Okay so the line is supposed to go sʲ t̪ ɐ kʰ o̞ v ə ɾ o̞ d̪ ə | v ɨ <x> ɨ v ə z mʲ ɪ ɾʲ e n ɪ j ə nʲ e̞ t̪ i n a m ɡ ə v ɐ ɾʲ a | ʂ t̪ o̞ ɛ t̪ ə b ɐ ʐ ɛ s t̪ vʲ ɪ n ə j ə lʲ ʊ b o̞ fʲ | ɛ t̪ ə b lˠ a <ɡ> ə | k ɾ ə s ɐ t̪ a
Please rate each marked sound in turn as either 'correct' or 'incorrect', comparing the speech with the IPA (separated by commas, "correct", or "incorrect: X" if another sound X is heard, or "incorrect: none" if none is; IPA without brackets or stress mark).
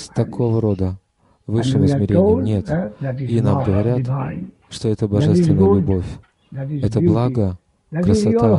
incorrect: ʂ, correct